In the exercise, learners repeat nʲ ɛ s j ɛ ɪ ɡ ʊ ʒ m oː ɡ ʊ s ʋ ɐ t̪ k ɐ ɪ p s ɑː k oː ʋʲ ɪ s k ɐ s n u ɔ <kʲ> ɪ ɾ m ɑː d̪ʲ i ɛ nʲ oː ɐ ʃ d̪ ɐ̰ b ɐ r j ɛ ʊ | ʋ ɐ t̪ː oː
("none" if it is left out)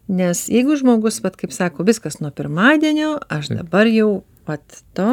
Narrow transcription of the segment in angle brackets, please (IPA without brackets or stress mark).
pʲ